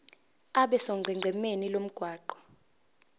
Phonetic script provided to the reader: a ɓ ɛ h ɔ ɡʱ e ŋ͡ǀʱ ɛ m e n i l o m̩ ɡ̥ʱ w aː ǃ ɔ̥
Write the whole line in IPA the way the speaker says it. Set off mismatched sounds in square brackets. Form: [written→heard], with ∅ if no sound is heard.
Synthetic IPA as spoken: a ɓ ɛ [h→s] ɔ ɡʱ [e→ɛ] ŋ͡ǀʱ ɛ m e n i l o m̩ ɡ̥ʱ w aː ǃ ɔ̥